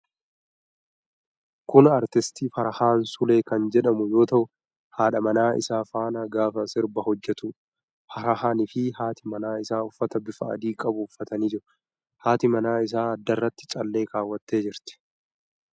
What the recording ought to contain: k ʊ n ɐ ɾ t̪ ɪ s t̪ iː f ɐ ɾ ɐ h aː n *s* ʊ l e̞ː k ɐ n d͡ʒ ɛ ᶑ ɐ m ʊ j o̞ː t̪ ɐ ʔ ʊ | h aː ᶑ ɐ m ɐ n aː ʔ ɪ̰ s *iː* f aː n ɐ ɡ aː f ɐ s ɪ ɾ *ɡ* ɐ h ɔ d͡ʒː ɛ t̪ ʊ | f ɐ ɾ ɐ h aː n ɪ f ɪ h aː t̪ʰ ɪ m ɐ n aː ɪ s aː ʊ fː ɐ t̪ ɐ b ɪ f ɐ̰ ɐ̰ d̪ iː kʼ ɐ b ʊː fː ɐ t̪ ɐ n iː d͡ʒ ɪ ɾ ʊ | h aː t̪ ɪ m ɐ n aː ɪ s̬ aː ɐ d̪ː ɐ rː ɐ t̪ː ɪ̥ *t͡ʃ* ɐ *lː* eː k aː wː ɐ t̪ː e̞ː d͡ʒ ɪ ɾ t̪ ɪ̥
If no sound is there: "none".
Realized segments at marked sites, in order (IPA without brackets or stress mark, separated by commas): s, aː, b, t͡ʃʼ, lː